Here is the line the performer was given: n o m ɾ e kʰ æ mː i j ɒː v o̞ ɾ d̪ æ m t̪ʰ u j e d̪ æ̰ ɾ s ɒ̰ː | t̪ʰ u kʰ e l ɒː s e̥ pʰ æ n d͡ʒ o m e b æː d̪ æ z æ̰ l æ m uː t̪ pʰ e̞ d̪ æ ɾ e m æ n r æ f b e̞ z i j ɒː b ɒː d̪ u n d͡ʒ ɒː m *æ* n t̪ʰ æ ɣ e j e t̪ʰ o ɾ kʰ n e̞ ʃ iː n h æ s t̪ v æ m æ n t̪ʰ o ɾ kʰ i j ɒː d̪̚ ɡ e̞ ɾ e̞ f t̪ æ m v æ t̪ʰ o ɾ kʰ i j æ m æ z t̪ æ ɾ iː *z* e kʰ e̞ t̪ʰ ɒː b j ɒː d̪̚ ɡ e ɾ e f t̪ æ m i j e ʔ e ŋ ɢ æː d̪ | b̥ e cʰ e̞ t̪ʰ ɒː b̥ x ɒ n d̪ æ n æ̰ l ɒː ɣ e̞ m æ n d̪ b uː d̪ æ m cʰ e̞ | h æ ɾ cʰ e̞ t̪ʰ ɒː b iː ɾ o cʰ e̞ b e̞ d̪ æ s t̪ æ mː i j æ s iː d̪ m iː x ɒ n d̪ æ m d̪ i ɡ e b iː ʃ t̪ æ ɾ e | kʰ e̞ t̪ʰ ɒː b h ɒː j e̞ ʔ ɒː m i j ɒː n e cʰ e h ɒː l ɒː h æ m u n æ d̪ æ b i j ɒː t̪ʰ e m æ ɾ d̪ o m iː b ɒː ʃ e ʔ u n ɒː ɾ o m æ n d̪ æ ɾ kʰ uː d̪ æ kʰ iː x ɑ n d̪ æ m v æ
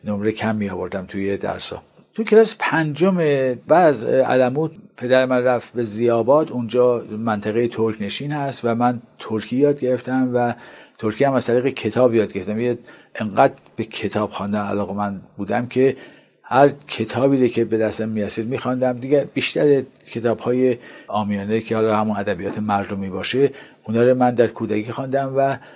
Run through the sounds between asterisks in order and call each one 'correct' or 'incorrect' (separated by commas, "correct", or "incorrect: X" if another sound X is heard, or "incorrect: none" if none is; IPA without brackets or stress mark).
correct, incorrect: ɣ